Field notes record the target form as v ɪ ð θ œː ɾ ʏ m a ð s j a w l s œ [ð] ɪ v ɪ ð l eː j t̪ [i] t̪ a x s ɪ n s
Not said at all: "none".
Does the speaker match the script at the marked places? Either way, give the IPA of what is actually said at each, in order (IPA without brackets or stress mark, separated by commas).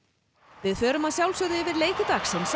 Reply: ð, ɪ